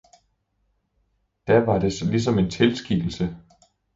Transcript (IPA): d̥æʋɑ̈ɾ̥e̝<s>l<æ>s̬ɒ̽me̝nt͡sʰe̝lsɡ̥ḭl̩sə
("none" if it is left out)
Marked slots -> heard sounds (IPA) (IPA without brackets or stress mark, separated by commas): s, i